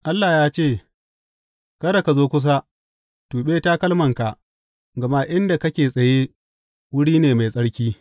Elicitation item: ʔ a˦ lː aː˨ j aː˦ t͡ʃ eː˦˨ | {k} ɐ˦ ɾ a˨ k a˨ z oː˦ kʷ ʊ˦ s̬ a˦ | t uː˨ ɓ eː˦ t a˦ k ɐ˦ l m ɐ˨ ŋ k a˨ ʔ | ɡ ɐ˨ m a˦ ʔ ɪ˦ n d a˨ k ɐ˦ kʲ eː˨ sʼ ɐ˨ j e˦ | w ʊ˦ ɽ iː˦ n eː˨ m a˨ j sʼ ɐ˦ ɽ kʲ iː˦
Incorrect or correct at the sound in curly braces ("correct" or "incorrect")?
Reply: correct